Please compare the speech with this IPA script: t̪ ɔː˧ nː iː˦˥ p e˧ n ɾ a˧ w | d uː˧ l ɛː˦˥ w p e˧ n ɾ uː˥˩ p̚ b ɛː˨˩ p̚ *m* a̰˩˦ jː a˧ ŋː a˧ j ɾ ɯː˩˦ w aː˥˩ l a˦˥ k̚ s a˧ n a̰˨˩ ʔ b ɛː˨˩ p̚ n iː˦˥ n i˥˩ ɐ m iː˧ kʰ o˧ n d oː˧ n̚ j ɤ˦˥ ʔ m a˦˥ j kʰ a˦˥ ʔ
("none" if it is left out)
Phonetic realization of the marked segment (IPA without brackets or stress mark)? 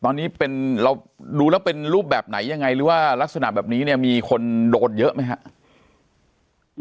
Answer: n